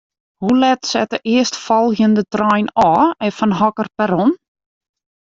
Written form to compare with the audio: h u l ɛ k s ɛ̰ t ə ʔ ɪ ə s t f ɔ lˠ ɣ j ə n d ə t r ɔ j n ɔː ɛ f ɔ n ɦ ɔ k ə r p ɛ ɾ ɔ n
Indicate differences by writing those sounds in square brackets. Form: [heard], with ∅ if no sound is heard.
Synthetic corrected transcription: h u l ɛ [t] s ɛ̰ t ə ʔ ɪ ə s t f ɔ lˠ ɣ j ə n d ə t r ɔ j n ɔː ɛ f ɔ n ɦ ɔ k ə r p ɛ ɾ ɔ n